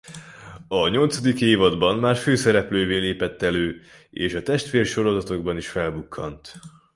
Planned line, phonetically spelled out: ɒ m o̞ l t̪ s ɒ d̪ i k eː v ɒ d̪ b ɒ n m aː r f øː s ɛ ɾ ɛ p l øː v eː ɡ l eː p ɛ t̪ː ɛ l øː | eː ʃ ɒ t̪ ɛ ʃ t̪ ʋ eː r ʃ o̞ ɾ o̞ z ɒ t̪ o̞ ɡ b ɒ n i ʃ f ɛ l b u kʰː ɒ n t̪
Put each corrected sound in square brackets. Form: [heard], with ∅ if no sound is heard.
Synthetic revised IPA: ɒ [ɲ] o̞ l t̪ s ɒ d̪ i k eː v ɒ d̪ b ɒ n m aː r f øː s ɛ ɾ ɛ p l øː v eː [∅] l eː p ɛ t̪ː ɛ l øː | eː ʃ ɒ t̪ ɛ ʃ t̪ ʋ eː r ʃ o̞ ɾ o̞ z ɒ t̪ o̞ ɡ b ɒ n i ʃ f ɛ l b u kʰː ɒ n t̪

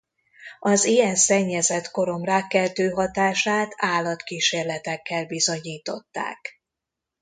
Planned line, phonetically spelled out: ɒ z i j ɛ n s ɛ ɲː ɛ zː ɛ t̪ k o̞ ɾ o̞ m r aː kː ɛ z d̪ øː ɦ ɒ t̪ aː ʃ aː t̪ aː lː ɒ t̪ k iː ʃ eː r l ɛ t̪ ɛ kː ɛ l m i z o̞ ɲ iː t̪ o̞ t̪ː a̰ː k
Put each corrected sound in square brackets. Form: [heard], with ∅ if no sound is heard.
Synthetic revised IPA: ɒ z i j ɛ n s ɛ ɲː ɛ [z] ɛ t̪ k o̞ ɾ o̞ m r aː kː ɛ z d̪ øː ɦ ɒ t̪ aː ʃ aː t̪ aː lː ɒ t̪ k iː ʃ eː r l ɛ t̪ ɛ kː ɛ l [b] i z o̞ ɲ iː t̪ o̞ t̪ː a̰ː k

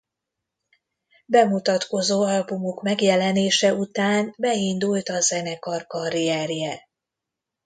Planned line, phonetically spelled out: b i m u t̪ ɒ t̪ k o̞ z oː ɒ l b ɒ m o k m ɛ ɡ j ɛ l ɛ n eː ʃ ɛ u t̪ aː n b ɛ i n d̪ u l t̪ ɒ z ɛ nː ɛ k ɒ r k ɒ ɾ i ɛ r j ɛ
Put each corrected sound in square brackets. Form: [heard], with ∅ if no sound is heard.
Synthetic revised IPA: b [ɛ] m u t̪ ɒ t̪ k o̞ z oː ɒ l b [u] m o k m ɛ ɡ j ɛ l ɛ n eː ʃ ɛ u t̪ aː n b ɛ i n d̪ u l t̪ ɒ z ɛ [n] ɛ k ɒ r k ɒ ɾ i ɛ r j ɛ

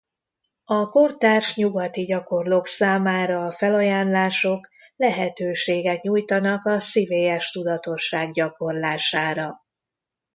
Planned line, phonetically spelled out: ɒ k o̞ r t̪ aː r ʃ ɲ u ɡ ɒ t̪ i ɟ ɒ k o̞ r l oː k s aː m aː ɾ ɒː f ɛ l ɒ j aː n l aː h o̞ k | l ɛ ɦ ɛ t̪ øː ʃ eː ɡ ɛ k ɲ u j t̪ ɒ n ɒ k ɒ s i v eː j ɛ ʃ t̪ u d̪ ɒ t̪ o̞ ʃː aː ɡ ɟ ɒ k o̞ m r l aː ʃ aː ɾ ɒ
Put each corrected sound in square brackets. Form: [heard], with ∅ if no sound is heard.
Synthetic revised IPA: ɒ k o̞ r t̪ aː r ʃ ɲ u ɡ ɒ t̪ i ɟ ɒ k o̞ r l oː k s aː m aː ɾ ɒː f ɛ l ɒ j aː n l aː [ʃ] o̞ k | l ɛ ɦ ɛ t̪ øː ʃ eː ɡ ɛ k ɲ u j t̪ ɒ n ɒ k ɒ s i v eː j ɛ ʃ t̪ u d̪ ɒ t̪ o̞ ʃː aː ɡ ɟ ɒ k o̞ [∅] r l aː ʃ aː ɾ ɒ

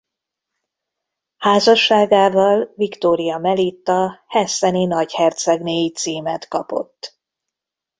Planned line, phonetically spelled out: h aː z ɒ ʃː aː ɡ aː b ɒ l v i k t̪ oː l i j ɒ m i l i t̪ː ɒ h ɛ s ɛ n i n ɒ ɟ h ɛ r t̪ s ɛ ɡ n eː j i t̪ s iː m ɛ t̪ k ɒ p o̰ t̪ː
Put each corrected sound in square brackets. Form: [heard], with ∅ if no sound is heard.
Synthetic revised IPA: h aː z ɒ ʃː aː ɡ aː [v] ɒ l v i k t̪ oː [ɾ] i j ɒ m [ɛ] l i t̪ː ɒ h ɛ s ɛ n i n ɒ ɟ h ɛ r t̪ s ɛ ɡ n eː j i t̪ s iː m ɛ t̪ k ɒ p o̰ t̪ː

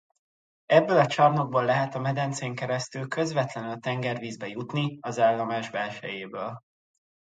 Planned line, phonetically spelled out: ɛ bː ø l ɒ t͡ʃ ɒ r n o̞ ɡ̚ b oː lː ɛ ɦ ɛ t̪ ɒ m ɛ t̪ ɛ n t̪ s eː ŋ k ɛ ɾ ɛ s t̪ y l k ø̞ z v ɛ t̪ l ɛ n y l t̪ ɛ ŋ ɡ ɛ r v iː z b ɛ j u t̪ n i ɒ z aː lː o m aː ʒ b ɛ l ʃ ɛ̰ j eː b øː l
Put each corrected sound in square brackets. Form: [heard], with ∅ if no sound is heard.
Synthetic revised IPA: ɛ bː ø l ɒ t͡ʃ ɒ r n o̞ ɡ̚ b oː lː ɛ ɦ ɛ t̪ ɒ m ɛ [d̪] ɛ n t̪ s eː ŋ k ɛ ɾ ɛ s t̪ y l k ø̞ z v ɛ t̪ l ɛ n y l t̪ ɛ ŋ ɡ ɛ r v iː z b ɛ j u t̪ n i ɒ z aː lː [ɒ] m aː ʒ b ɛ l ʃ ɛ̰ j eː b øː l

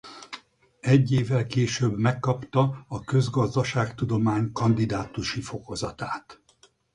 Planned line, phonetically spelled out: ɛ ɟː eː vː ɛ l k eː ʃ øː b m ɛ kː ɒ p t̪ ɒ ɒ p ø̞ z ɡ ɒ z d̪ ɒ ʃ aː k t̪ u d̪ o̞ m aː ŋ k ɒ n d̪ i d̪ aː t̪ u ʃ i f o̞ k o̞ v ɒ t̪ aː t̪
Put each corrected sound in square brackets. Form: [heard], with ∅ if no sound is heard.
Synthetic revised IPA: ɛ ɟː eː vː ɛ l k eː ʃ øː b m ɛ kː ɒ p t̪ ɒ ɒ [k] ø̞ z ɡ ɒ z d̪ ɒ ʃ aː k t̪ u d̪ o̞ m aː [ɲ] k ɒ n d̪ i d̪ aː t̪ u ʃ i f o̞ k o̞ [z] ɒ t̪ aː t̪

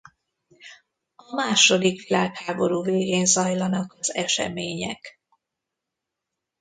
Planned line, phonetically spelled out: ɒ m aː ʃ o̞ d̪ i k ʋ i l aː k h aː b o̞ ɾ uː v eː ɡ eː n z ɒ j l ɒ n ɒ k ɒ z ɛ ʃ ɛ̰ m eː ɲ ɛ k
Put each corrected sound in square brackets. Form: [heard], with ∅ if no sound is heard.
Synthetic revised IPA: ɒ m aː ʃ o̞ d̪ i k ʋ i l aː k h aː b o̞ ɾ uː v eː ɡ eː n z ɒ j l ɒ n ɒ k ɒ z ɛ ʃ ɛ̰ m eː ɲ ɛ k

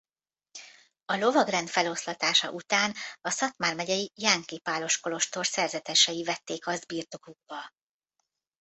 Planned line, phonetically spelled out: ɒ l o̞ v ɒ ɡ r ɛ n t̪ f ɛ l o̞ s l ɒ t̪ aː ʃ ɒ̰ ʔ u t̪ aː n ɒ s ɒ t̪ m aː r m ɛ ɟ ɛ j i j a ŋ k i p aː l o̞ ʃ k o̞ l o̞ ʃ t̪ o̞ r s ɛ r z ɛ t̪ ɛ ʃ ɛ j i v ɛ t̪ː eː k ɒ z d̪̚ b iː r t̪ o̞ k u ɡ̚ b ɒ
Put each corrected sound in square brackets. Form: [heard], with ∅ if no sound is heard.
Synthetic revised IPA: ɒ l o̞ v ɒ ɡ r ɛ n t̪ f ɛ l o̞ s l ɒ t̪ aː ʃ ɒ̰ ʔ u t̪ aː n ɒ s ɒ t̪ m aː r m ɛ ɟ ɛ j i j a ŋ k i p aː l o̞ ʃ k o̞ l o̞ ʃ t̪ o̞ r s ɛ r z ɛ t̪ ɛ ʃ ɛ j i v ɛ t̪ː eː k ɒ z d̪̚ b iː r t̪ o̞ k u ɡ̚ b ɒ

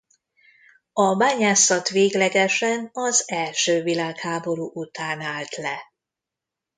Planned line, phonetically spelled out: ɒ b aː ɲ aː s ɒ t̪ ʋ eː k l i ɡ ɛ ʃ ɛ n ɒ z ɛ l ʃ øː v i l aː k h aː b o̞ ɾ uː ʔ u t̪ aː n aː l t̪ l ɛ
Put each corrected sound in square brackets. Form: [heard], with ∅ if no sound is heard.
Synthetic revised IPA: ɒ b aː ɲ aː s ɒ t̪ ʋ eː [ɡ] l [ɛ] ɡ ɛ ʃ ɛ n ɒ z ɛ l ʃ øː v i l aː k h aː b o̞ ɾ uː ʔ u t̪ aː n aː l t̪ l ɛ

